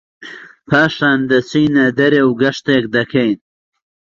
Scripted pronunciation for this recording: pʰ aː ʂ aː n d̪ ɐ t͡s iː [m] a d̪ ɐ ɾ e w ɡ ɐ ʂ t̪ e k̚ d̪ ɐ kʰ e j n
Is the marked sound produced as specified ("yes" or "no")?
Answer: no